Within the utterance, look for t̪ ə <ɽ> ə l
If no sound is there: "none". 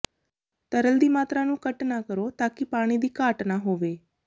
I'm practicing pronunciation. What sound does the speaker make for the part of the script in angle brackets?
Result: ɾ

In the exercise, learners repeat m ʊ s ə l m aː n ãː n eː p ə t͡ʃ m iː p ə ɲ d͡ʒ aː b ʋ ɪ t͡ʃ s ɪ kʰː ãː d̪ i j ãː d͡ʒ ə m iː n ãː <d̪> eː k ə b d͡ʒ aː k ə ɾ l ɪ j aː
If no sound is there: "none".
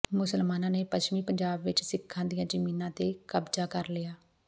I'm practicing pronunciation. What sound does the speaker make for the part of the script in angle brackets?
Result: t̪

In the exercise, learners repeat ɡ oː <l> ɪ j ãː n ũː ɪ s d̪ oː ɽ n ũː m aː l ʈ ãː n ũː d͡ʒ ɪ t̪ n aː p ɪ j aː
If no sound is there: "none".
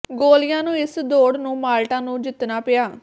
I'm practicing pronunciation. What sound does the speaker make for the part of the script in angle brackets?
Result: l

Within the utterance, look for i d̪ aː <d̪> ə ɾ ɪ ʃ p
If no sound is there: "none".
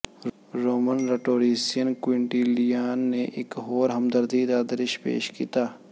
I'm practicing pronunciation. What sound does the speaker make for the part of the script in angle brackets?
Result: d̪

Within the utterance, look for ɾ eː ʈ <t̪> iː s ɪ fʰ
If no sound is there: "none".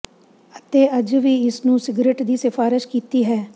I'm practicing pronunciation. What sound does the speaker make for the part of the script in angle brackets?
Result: d̪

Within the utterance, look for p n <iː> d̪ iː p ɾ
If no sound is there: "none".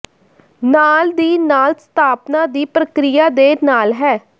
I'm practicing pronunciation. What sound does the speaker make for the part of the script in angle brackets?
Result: aː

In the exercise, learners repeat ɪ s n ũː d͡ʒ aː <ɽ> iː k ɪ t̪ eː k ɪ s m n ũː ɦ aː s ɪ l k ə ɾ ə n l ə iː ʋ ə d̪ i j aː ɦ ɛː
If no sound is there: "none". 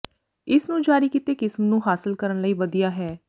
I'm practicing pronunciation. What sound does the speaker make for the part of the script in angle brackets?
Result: ɾ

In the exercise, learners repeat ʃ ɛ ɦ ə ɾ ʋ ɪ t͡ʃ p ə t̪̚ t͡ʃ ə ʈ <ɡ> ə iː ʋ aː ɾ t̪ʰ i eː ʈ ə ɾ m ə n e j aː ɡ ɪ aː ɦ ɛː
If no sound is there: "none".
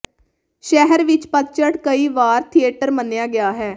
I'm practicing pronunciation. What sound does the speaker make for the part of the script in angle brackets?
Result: k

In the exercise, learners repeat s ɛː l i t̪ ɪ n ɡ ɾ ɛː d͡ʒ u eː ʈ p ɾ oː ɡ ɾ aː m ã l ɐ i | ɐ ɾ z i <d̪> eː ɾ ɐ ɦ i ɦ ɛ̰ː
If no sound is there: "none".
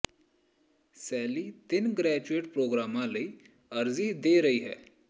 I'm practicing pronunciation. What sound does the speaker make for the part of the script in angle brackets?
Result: d̪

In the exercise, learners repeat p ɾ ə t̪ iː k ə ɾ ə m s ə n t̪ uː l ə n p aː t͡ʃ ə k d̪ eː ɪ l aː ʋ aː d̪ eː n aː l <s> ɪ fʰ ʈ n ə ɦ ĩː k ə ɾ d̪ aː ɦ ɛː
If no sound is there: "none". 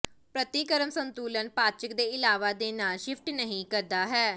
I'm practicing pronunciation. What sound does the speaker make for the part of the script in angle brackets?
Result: ʃ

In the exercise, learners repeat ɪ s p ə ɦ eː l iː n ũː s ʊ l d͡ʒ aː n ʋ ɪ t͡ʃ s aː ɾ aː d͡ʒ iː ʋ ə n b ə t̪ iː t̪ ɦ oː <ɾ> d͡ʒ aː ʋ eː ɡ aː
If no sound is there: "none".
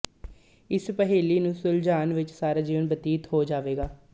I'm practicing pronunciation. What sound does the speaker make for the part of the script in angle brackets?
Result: none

